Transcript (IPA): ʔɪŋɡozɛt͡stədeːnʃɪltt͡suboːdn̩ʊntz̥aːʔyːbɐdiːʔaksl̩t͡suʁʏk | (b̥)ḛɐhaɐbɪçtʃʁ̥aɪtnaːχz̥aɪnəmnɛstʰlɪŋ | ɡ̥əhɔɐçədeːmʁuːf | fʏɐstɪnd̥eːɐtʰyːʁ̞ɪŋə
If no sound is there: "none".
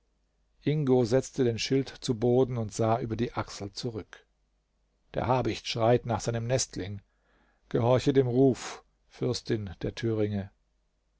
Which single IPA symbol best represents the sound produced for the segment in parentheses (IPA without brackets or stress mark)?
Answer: d̥